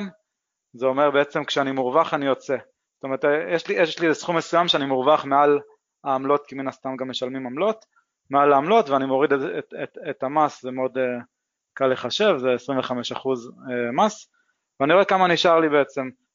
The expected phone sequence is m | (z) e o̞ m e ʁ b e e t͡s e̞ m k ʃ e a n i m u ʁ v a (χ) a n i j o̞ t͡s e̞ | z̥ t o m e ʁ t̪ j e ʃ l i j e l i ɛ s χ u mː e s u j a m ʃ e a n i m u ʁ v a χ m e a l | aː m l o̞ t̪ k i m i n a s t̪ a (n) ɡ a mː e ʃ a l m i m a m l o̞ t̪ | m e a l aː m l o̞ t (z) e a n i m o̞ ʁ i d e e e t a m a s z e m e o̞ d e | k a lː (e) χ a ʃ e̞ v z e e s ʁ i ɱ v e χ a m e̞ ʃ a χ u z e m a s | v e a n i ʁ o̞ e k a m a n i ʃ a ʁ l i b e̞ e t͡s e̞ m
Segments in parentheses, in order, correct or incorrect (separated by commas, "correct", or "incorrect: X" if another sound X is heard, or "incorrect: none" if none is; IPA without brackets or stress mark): correct, correct, incorrect: m, incorrect: v, correct